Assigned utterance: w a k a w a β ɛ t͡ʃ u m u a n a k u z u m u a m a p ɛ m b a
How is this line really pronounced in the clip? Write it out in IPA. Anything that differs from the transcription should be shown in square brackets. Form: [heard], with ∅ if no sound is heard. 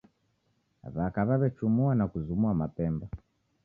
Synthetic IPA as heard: [β] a k a [β] a β ɛ t͡ʃ u m u a n a k u z u m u a m a p ɛ m b a

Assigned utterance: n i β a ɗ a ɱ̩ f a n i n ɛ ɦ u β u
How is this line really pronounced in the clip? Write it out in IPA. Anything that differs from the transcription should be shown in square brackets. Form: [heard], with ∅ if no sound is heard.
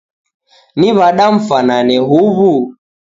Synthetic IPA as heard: n i β a ɗ a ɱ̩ f a n [a] n ɛ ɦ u β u

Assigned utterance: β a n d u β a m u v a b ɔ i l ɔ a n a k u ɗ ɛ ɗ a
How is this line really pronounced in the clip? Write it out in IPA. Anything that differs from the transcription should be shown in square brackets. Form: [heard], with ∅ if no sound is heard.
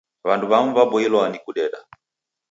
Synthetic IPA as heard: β a n d u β a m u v a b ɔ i l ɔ a n [i] k u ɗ ɛ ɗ a

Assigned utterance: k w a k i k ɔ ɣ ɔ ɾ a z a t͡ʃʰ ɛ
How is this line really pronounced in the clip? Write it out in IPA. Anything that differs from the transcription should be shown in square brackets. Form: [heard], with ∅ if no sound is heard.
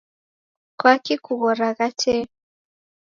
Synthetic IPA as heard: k w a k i k [u] ɣ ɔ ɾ a [ɣ] a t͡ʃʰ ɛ

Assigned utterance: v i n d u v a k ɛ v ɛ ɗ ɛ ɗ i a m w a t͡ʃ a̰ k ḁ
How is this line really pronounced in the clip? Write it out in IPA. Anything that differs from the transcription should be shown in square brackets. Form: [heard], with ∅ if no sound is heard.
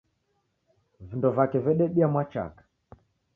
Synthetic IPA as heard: v i n d [ɔ] v a k ɛ v ɛ ɗ ɛ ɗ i a m w a t͡ʃ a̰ k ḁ

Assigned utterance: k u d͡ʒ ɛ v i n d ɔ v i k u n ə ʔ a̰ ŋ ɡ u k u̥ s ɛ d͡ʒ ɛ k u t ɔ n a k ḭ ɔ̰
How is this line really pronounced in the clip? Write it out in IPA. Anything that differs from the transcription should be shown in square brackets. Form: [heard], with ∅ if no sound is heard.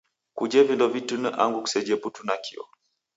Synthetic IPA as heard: k u d͡ʒ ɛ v i n d ɔ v i [t] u n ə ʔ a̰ ŋ ɡ u k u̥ s ɛ d͡ʒ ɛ [p] u t [u] n a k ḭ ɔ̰

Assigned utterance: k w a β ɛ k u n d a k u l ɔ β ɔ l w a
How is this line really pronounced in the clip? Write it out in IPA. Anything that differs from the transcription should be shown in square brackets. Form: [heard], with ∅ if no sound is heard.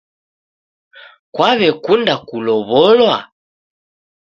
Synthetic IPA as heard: k w a β ɛ k u n d a k u l ɔ β ɔ l w a

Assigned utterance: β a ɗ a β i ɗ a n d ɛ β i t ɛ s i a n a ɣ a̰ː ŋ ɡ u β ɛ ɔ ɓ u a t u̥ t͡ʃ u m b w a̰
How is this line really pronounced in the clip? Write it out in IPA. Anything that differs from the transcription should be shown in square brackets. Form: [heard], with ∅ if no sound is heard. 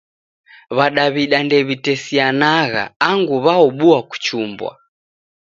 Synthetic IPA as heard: β a ɗ a β i ɗ a n d ɛ β i t ɛ s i a n a ɣ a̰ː ŋ ɡ u β [a] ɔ ɓ u a [k] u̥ t͡ʃ u m b w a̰

